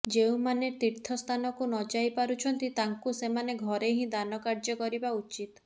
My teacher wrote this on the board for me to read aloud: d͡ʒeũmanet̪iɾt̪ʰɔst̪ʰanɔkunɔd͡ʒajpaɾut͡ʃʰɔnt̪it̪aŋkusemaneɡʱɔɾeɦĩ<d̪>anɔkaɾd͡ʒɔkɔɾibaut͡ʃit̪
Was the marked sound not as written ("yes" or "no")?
no